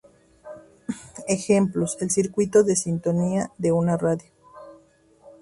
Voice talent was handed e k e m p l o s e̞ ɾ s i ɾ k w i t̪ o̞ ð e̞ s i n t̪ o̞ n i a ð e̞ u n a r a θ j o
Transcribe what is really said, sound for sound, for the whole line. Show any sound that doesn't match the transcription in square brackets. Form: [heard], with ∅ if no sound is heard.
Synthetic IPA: e [x] e m p l o s e̞ [l] s i ɾ k w i t̪ o̞ ð e̞ s i n t̪ o̞ n i a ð e̞ u n a r a [ð] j o